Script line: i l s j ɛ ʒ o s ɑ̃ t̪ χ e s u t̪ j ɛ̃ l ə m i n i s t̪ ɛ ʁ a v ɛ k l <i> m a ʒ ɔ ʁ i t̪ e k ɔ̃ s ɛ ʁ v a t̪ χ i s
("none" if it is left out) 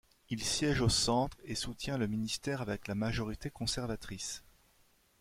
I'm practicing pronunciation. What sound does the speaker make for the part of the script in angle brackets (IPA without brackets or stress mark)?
a